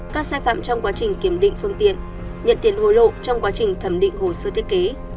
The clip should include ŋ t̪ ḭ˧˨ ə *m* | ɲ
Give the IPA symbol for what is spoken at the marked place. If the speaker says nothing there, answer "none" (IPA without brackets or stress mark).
n